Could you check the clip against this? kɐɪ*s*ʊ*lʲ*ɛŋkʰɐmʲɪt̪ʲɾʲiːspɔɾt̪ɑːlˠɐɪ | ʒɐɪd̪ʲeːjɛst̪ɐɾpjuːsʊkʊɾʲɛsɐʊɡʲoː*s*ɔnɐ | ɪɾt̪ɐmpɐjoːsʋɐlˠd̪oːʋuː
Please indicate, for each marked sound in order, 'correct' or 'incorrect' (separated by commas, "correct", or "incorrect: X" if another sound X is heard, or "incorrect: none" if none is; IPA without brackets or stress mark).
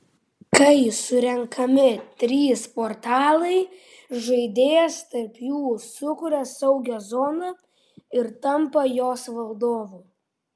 correct, incorrect: ɾʲ, incorrect: z